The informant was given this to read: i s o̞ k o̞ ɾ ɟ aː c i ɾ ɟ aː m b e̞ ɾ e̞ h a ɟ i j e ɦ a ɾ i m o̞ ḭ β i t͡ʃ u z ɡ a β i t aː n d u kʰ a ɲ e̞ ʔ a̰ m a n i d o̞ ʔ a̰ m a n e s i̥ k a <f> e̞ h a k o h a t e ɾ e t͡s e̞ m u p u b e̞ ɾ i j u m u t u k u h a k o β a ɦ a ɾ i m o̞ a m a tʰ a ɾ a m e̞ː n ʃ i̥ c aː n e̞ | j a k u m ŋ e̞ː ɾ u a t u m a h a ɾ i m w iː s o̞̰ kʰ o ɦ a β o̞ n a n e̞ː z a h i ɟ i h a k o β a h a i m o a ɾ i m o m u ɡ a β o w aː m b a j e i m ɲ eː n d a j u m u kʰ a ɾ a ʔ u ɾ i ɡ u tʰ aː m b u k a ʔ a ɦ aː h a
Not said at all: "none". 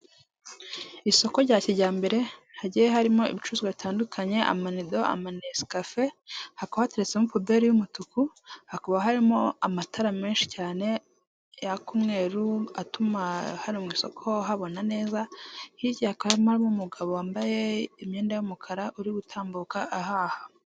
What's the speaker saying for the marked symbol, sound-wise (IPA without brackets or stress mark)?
f